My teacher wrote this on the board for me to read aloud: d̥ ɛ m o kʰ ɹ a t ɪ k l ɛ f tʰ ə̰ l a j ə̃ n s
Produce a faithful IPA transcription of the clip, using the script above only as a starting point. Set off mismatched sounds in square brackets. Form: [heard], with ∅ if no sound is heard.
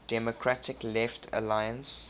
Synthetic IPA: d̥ ɛ m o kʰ ɹ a t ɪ k l ɛ f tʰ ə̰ l a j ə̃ n s

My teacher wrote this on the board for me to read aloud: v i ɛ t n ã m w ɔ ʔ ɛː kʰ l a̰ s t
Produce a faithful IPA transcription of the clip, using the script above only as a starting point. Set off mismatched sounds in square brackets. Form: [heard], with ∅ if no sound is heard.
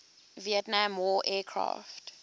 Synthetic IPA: v i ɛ t n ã m w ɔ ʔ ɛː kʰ [ɹ] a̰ [f] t

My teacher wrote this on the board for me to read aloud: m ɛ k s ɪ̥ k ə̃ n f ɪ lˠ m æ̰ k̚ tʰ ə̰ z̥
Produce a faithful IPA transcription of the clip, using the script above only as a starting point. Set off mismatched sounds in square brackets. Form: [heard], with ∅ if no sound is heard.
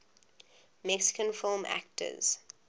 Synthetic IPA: m ɛ k s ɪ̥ k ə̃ n f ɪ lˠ m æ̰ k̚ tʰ ə̰ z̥

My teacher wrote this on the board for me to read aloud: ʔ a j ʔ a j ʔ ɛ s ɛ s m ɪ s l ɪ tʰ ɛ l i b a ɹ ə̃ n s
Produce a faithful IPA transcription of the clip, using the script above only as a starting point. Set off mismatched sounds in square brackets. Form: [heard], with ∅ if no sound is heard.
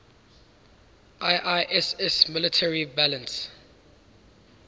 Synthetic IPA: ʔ a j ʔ a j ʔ ɛ s ɛ s m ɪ [∅] l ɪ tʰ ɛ [ɹ] i b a [l] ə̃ n s

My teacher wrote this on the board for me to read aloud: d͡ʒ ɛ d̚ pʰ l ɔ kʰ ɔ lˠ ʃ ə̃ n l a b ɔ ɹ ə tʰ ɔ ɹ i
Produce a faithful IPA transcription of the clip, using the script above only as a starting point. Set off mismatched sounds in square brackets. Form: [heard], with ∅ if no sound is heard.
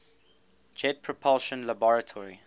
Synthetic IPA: d͡ʒ ɛ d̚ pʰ [ɹ] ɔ [pʰ] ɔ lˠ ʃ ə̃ n l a b ɔ ɹ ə tʰ ɔ ɹ i

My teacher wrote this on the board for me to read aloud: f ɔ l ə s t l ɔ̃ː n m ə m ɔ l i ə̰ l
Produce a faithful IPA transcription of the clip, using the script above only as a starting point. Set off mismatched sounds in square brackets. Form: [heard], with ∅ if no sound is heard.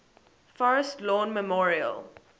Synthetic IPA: f ɔ [ɹ] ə s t l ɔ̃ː n m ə m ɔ [ɹ] i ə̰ l

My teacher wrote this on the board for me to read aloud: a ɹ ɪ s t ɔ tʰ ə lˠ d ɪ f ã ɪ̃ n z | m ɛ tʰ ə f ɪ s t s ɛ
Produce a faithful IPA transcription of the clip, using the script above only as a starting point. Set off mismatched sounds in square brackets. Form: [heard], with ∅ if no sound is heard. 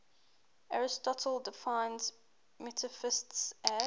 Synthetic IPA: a ɹ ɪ s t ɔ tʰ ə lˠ d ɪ f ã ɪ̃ n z | m ɛ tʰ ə f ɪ s t s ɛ

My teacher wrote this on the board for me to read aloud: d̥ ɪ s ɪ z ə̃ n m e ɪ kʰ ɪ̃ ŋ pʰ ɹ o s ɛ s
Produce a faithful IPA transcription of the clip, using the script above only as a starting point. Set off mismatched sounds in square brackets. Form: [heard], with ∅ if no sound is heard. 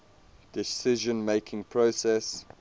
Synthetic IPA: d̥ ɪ s ɪ [ʒ] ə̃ n m e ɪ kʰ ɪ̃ ŋ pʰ ɹ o s ɛ s

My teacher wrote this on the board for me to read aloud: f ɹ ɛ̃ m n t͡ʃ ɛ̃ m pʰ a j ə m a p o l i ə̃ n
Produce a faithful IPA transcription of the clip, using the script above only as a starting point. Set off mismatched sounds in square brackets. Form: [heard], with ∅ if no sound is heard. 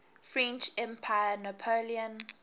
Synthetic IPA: f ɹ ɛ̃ [∅] n t͡ʃ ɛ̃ m pʰ a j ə [n] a [pʰ] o l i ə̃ n

